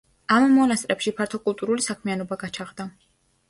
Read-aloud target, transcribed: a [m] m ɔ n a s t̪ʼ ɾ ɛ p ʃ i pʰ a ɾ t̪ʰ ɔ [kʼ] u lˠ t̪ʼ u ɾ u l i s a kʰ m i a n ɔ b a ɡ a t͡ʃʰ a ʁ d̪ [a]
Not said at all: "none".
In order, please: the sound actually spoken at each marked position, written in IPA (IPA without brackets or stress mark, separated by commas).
m, kʼ, a